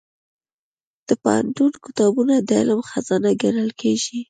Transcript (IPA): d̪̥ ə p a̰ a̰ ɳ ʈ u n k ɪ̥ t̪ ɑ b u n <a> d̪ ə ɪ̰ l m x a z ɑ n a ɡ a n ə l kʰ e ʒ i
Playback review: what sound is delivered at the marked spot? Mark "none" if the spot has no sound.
a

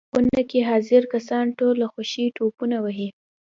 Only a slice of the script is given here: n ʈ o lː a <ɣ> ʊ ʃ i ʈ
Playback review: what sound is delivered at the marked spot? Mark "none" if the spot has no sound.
x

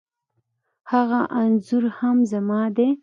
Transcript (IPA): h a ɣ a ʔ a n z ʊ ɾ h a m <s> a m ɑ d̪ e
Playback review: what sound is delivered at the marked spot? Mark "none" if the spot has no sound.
z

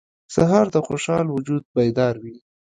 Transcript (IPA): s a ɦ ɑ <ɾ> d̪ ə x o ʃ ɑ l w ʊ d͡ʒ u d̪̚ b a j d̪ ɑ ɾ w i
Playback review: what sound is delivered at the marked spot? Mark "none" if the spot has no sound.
ɾ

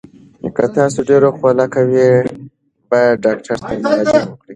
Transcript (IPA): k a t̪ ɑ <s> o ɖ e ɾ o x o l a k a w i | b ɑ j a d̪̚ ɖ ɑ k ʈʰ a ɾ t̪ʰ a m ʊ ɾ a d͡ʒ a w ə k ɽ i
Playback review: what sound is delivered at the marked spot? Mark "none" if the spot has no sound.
s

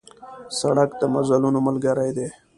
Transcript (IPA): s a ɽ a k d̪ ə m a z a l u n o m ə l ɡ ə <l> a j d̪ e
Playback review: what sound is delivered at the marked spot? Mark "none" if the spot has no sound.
ɾ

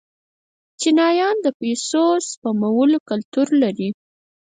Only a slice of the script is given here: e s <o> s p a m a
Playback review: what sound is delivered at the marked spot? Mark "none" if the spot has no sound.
o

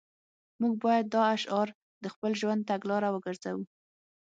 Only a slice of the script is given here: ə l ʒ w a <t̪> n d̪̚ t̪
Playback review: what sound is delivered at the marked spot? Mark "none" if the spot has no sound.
none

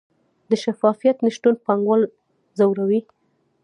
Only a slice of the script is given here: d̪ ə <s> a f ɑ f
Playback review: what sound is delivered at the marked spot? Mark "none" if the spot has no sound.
ʃ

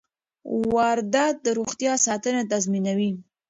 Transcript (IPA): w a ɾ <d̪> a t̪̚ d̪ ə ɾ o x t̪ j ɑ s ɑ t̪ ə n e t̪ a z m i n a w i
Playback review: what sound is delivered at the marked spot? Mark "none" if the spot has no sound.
d̪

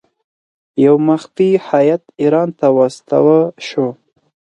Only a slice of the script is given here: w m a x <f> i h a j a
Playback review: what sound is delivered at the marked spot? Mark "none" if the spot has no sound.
f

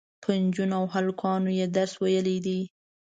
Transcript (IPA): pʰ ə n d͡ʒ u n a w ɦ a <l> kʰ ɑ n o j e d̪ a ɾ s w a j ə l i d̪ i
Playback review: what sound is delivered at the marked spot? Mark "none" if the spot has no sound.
l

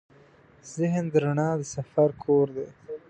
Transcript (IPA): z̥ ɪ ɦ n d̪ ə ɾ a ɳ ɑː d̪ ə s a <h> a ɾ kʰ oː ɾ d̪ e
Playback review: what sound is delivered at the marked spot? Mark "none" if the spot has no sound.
f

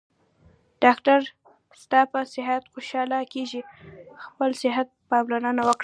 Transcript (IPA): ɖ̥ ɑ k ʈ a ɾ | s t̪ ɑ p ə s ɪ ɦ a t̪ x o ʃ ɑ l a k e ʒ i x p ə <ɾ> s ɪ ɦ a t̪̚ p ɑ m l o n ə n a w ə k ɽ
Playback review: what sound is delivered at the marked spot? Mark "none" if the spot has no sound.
l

